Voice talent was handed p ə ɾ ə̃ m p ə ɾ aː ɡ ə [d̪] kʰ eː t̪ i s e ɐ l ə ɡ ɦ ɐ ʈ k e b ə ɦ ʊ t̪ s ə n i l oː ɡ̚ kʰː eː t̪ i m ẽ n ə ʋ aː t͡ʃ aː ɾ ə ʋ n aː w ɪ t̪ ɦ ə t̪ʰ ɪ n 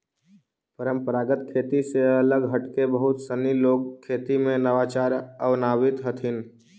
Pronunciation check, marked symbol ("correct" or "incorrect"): incorrect